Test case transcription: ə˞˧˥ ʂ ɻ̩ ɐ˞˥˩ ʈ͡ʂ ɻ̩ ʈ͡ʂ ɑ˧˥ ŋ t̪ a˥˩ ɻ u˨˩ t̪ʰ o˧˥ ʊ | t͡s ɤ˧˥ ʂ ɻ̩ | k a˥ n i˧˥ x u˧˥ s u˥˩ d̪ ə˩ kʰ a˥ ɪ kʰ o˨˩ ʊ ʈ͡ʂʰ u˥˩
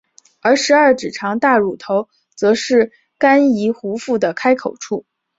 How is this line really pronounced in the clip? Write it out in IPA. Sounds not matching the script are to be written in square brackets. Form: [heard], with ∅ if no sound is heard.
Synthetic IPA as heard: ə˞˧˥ ʂ ɻ̩ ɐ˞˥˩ ʈ͡ʂ ɻ̩ [ʈ͡ʂʰ] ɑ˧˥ ŋ t̪ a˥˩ ɻ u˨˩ t̪ʰ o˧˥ ʊ | t͡s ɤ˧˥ ʂ ɻ̩ | k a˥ n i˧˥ x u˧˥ [f] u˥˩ d̪ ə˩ kʰ a˥ ɪ kʰ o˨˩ ʊ ʈ͡ʂʰ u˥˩